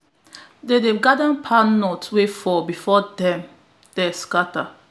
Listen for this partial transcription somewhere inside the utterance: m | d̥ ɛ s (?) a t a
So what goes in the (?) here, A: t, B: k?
B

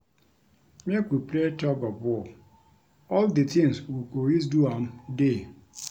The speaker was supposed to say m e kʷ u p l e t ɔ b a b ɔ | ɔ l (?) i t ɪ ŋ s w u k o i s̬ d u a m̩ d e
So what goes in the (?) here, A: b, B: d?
B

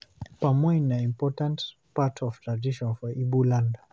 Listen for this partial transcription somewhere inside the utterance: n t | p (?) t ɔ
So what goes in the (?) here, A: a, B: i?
A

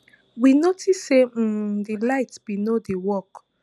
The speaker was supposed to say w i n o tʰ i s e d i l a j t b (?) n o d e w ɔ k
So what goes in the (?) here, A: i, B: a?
A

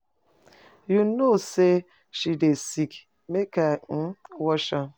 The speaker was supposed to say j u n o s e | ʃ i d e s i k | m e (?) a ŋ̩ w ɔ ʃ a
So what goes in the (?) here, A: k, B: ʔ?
A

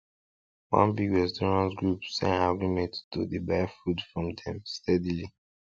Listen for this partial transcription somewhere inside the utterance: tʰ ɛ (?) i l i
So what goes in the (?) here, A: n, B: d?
B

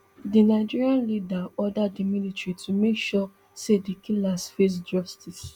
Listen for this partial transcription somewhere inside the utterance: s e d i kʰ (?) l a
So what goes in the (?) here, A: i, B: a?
A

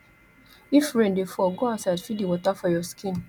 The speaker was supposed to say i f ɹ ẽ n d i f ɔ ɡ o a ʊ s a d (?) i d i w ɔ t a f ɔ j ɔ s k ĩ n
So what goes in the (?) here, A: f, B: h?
A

